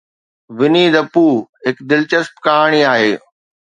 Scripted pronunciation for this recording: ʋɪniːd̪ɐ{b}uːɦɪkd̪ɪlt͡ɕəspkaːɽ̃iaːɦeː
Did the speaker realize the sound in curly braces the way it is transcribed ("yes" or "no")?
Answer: no